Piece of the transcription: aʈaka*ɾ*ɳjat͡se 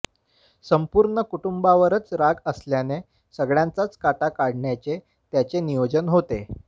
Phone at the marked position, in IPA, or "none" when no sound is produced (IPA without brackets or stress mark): ɽ